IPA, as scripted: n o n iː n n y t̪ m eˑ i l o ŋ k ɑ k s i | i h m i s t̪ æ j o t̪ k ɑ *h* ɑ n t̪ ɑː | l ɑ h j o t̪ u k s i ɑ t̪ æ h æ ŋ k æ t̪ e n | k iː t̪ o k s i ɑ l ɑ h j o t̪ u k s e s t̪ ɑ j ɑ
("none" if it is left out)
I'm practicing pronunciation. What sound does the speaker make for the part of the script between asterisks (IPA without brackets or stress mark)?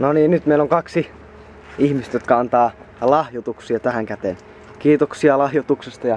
none